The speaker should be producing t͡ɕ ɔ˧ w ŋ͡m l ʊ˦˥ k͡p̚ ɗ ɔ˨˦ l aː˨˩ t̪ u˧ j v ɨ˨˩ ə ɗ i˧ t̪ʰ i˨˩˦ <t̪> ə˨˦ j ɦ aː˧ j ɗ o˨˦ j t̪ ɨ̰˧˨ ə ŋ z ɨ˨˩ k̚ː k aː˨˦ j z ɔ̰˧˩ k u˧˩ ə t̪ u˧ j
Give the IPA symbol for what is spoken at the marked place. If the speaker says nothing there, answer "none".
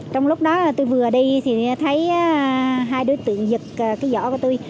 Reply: t̪ʰ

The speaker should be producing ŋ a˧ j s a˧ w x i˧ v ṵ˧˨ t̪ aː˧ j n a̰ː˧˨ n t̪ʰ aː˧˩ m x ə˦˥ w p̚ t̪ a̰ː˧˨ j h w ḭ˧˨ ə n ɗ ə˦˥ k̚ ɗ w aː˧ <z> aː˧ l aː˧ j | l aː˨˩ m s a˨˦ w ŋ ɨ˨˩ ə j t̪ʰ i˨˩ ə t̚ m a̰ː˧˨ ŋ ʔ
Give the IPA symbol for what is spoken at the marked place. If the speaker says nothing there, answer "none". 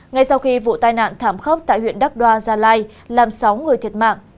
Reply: z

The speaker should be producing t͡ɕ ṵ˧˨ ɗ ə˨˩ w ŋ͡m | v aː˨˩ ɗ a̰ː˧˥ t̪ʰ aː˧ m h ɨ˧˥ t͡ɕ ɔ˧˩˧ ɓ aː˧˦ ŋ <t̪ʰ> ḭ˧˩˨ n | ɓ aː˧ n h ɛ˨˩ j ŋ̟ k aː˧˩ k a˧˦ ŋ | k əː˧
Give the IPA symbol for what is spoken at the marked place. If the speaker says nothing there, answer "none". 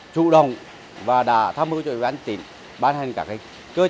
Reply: t̪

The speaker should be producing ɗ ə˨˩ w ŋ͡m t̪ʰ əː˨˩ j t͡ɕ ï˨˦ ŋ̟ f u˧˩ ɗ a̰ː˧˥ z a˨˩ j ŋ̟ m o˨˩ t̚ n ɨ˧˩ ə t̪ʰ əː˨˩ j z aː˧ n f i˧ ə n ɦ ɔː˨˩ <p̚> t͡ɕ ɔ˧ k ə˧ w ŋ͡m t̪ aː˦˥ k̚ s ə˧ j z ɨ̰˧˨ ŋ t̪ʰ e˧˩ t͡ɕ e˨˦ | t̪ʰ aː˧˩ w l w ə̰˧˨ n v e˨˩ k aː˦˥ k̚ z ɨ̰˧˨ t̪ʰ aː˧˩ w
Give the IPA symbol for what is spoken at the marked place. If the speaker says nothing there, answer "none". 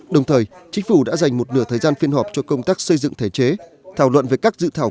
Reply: p̚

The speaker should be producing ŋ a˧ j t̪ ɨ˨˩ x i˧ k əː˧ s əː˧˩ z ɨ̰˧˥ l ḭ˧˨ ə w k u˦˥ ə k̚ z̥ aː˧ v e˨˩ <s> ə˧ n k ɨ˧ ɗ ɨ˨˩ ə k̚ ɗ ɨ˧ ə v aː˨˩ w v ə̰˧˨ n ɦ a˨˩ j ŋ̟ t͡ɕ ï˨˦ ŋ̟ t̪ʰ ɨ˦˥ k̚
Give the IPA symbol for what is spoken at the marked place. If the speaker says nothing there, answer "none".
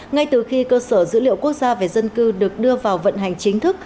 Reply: z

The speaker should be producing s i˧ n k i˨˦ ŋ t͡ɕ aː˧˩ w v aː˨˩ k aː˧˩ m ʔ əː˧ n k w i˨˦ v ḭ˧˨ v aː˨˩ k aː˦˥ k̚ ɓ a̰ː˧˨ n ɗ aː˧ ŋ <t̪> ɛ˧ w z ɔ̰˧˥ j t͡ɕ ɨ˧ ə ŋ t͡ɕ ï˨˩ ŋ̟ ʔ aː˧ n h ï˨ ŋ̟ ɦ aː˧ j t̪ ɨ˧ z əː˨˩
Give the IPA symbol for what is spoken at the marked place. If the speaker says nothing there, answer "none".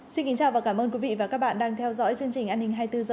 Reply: t̪ʰ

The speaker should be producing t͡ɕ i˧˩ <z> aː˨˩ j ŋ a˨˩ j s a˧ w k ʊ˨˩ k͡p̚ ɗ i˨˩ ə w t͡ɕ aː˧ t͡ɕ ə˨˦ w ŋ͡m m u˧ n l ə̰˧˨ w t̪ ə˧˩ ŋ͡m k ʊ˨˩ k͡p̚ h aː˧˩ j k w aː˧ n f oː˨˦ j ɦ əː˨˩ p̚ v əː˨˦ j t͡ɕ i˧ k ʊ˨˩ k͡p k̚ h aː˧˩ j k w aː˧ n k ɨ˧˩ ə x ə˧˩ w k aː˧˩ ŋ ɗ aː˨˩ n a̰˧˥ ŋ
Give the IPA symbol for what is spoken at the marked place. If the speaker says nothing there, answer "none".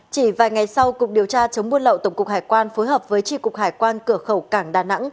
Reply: v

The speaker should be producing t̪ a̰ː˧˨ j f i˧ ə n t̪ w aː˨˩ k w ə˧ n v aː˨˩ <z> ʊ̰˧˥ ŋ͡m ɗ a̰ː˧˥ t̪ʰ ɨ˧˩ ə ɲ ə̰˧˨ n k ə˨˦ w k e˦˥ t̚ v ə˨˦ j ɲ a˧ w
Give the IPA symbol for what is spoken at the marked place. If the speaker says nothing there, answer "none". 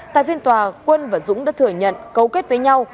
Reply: z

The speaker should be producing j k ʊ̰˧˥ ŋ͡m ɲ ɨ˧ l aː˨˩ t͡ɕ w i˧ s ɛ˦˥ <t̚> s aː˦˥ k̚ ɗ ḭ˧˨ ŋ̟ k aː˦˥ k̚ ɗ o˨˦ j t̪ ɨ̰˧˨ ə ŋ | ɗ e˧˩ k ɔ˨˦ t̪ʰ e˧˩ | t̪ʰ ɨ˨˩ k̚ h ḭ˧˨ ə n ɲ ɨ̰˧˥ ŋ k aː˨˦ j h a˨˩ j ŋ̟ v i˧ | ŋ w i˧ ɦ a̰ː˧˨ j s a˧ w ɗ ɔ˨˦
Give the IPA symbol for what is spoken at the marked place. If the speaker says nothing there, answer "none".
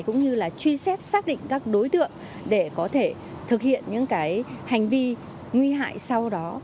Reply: t̚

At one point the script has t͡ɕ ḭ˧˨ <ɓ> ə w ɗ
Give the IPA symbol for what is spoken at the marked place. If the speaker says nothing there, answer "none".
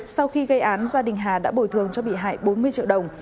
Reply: none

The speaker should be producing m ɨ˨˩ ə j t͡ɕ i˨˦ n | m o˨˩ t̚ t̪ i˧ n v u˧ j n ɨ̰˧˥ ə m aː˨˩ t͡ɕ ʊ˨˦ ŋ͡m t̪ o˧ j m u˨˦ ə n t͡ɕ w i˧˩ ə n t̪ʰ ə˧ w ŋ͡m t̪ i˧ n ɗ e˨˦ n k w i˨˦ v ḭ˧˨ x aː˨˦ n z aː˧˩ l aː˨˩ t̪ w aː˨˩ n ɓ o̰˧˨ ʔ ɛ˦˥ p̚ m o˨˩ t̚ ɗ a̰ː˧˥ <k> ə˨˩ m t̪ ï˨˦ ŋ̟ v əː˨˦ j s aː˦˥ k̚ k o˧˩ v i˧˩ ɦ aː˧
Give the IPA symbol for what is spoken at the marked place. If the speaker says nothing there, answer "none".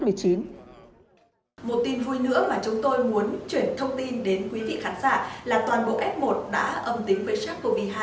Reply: ʔ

